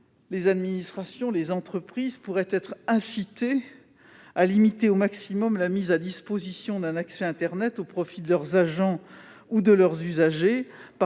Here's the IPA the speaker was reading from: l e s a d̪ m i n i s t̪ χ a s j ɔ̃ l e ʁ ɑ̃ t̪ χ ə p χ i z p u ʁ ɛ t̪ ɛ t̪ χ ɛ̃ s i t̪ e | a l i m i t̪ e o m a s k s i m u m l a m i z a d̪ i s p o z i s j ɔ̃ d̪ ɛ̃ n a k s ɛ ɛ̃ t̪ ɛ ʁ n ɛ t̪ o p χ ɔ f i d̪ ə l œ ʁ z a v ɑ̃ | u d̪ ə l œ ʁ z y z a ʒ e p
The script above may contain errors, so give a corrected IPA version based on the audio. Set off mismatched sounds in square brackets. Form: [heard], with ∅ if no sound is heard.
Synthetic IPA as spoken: l e [z] a d̪ m i n i s t̪ χ a s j ɔ̃ l e [z] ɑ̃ t̪ χ ə p χ i z p u ʁ ɛ t̪ ɛ t̪ χ ɛ̃ s i t̪ e | a l i m i t̪ e o m a [∅] k s i m [ɔ] m l a m i z a d̪ i s p o z i s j ɔ̃ d̪ ɛ̃ n a k s ɛ ɛ̃ t̪ ɛ ʁ n ɛ t̪ o p χ ɔ f i d̪ ə l œ ʁ z a [ʒ] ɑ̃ | u d̪ ə l œ ʁ z y z a ʒ e p